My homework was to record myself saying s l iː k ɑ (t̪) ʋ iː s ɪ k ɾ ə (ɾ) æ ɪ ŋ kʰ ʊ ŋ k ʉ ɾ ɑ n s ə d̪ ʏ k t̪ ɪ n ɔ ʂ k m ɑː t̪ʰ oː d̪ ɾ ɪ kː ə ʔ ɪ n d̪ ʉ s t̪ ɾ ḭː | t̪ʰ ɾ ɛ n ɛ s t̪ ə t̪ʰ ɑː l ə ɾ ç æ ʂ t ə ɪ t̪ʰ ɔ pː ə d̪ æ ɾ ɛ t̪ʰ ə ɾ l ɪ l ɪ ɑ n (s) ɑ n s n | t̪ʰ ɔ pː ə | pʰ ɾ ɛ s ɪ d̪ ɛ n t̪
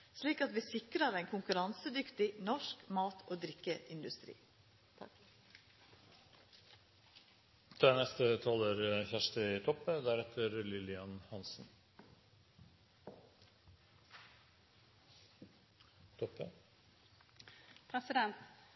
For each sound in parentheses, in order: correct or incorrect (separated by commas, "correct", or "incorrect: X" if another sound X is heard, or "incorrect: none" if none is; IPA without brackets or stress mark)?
correct, correct, incorrect: h